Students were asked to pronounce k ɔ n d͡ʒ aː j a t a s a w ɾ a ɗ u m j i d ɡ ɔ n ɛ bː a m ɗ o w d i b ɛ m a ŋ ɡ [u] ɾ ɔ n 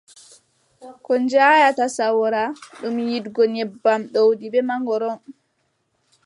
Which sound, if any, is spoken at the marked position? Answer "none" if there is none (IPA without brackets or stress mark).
ɔ